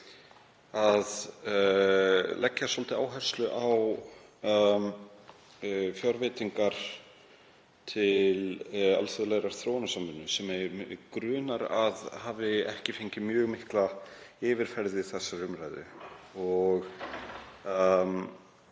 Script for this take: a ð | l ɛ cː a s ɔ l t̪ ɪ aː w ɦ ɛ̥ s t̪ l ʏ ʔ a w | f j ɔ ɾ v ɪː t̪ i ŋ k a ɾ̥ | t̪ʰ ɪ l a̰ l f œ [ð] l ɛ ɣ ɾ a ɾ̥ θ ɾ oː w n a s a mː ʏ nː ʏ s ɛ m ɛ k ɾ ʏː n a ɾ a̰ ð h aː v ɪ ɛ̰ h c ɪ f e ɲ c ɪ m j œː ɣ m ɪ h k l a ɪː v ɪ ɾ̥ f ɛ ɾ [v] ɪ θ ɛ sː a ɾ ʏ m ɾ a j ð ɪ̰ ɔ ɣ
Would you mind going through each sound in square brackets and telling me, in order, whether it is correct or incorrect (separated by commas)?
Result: correct, incorrect